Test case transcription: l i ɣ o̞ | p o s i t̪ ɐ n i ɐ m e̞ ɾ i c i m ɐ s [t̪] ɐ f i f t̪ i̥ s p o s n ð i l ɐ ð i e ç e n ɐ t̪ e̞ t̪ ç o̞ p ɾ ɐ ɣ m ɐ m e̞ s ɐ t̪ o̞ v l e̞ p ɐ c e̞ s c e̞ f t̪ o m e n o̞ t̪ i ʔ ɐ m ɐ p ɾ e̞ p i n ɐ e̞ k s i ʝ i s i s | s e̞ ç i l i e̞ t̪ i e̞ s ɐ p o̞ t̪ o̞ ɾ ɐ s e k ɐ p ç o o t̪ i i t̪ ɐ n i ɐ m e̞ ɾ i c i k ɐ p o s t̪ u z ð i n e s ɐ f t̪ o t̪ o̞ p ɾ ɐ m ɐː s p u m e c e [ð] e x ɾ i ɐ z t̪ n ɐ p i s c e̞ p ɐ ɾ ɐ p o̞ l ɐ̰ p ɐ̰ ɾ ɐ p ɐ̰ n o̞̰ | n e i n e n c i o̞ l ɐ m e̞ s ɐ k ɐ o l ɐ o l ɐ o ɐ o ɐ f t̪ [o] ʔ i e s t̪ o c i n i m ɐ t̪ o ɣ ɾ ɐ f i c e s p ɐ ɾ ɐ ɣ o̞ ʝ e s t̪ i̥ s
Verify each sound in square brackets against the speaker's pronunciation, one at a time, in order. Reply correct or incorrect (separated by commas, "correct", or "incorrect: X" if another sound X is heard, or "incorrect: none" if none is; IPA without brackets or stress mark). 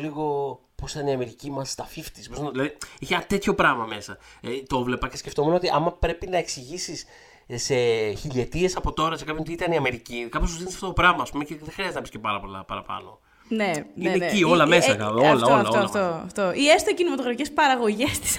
correct, correct, correct